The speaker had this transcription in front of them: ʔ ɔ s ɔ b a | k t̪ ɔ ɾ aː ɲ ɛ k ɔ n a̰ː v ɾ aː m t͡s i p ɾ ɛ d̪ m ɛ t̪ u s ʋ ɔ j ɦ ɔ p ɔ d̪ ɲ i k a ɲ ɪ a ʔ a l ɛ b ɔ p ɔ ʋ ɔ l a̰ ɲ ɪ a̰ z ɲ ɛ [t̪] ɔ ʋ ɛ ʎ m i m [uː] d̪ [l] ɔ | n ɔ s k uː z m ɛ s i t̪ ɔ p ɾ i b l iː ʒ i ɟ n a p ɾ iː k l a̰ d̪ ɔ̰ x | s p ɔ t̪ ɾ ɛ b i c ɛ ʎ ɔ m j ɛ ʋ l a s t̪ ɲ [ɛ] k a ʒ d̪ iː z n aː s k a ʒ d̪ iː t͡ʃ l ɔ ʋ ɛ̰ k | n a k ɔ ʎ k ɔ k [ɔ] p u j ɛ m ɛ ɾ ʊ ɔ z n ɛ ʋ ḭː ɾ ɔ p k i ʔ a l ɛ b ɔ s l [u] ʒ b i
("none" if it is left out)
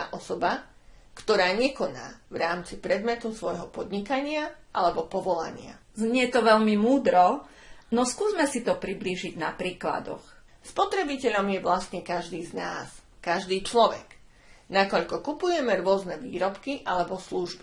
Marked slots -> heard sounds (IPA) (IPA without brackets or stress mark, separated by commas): t̪, uː, ɾ, ɛ, u, u